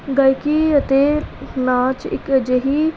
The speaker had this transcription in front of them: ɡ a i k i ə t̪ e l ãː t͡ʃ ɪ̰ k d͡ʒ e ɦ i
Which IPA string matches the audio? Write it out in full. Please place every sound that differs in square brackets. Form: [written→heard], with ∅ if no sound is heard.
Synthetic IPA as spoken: ɡ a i k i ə t̪ e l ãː t͡ʃ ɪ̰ k d͡ʒ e ɦ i